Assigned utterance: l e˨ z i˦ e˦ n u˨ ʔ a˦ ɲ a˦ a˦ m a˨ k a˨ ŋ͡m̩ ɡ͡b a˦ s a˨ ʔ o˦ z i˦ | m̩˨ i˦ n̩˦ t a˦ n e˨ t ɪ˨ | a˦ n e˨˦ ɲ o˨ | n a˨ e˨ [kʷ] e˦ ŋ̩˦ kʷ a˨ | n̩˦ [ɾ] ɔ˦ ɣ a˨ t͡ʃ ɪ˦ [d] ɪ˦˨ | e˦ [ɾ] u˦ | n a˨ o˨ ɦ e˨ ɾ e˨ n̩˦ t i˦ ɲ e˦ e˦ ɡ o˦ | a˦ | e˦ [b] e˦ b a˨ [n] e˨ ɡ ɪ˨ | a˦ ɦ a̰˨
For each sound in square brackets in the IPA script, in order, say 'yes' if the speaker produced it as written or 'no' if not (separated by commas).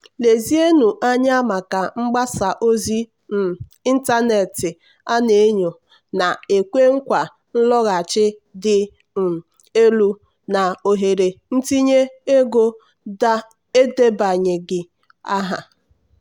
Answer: yes, no, yes, no, no, no